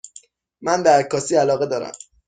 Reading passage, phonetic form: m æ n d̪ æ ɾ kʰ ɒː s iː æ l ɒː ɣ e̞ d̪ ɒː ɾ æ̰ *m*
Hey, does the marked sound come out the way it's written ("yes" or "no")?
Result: yes